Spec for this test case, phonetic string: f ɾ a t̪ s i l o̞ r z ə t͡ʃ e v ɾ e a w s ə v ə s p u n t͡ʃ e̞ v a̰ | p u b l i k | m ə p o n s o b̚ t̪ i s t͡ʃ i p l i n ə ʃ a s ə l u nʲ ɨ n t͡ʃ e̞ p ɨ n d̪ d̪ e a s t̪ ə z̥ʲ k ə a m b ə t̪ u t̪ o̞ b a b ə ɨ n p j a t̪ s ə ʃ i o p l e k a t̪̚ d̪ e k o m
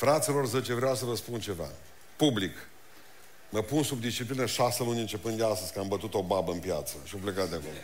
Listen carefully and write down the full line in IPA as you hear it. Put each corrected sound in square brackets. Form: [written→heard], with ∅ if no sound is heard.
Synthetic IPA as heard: f ɾ a t̪ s i l o̞ r z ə t͡ʃ e v ɾ e a w s ə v ə s p u n t͡ʃ e̞ v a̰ | p u b l i k | m ə p [o→u] n s [o→u] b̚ [t̪→d̪] i s t͡ʃ i p l i n ə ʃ a s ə l u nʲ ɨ n t͡ʃ e̞ p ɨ n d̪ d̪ e a s t̪ ə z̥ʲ k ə a m b ə t̪ u t̪ o̞ b a b ə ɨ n p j a t̪ s ə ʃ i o p l e k a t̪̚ d̪ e k o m